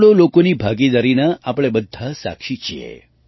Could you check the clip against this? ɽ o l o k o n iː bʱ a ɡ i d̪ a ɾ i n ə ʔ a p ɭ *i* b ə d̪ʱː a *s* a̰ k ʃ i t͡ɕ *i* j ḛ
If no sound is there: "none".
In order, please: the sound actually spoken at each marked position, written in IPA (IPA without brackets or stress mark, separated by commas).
e, s, i